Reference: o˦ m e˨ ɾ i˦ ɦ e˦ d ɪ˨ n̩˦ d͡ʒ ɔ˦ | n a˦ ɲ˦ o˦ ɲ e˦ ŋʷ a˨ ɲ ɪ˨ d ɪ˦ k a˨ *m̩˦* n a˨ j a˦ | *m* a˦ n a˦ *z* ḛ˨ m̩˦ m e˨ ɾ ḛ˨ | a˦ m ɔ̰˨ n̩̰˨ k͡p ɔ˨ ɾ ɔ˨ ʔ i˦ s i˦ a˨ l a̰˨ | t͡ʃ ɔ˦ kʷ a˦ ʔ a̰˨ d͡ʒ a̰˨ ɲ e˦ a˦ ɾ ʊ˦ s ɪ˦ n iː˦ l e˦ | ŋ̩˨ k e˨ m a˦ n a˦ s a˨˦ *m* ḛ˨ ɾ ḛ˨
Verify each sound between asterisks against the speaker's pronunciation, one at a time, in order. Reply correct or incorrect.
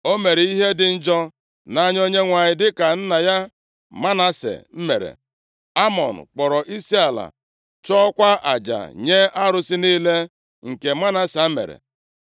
incorrect, correct, incorrect, correct

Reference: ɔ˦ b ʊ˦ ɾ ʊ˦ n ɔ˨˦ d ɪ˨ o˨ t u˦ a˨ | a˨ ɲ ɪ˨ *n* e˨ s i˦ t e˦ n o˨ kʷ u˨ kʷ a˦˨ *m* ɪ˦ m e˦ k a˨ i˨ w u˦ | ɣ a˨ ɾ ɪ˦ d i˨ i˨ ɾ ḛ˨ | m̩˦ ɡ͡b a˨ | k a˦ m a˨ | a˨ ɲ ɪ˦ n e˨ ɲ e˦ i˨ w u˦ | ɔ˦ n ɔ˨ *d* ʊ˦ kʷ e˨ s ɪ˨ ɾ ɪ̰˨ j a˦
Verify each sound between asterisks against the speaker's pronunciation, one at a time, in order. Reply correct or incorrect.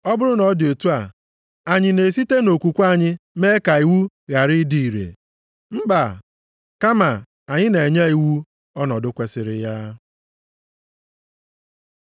correct, incorrect, correct

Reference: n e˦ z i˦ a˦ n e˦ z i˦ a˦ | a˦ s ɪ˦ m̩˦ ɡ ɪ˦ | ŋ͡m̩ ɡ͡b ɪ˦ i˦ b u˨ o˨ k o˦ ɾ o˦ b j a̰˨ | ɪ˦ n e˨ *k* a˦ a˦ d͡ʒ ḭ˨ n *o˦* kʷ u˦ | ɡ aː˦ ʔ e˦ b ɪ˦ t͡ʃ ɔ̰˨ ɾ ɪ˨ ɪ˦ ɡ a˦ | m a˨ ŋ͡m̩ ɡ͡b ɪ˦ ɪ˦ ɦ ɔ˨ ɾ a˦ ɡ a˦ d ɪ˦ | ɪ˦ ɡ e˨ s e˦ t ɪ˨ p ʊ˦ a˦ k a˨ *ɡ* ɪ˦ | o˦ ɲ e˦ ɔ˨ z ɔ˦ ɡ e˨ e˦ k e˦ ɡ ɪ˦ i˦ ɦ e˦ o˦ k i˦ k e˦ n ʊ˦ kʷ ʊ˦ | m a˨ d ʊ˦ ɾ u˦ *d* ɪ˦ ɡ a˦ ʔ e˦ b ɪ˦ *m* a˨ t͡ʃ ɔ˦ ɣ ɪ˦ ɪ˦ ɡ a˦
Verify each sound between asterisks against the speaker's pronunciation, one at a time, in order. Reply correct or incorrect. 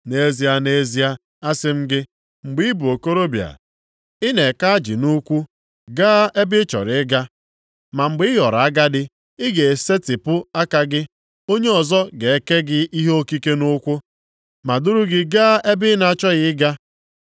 correct, incorrect, correct, incorrect, incorrect

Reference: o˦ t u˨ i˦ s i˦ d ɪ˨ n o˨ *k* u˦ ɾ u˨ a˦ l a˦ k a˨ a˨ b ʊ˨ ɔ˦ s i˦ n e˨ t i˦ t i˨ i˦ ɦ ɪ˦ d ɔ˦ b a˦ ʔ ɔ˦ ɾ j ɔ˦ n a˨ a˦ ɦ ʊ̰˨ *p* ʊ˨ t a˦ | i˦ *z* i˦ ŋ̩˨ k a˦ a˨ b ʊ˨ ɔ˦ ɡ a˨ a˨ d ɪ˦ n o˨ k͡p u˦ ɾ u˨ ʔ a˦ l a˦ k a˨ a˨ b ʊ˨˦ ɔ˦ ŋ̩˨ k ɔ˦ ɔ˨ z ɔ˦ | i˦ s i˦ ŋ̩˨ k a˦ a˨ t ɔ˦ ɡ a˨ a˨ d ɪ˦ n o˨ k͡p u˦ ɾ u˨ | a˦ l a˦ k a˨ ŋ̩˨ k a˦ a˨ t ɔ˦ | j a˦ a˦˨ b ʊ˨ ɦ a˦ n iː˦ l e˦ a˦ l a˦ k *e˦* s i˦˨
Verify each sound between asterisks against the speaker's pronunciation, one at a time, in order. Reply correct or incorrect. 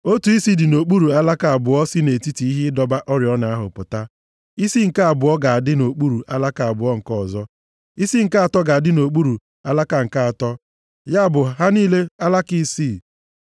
incorrect, correct, incorrect, incorrect

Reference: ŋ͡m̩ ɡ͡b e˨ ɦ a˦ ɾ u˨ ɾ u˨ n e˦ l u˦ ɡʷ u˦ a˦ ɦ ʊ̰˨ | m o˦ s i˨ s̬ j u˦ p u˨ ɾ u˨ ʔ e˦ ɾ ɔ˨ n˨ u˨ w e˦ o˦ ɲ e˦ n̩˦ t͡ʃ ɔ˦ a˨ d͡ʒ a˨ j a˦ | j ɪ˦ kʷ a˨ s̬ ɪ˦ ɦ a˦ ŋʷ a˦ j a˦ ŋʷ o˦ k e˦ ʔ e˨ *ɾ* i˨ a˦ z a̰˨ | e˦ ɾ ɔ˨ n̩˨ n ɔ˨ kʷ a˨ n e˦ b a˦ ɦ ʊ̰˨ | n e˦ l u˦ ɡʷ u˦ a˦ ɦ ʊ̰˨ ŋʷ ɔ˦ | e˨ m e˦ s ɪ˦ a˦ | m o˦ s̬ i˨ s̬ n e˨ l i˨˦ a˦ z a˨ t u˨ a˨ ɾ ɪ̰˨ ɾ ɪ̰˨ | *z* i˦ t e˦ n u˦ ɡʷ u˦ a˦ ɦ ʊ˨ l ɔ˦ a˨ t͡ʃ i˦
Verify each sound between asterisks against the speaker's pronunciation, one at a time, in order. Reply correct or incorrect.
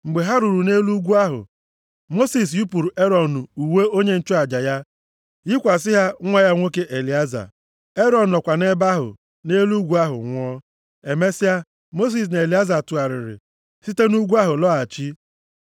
incorrect, incorrect

